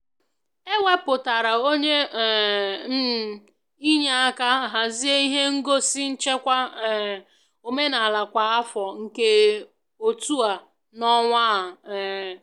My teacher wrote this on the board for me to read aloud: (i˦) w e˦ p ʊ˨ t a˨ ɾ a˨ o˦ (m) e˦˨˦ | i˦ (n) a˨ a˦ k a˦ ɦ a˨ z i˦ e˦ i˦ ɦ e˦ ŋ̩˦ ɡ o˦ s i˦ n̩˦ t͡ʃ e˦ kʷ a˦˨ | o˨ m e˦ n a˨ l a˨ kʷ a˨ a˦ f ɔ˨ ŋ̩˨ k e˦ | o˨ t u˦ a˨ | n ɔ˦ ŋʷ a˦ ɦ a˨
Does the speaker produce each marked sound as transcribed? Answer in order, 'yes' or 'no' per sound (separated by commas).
no, no, no